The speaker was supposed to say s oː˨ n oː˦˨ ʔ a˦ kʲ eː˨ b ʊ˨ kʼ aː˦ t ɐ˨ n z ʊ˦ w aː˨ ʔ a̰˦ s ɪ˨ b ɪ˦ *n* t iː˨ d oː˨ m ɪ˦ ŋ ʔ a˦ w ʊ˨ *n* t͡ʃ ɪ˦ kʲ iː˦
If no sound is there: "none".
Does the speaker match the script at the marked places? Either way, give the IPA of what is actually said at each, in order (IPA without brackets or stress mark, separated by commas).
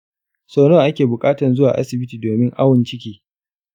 none, n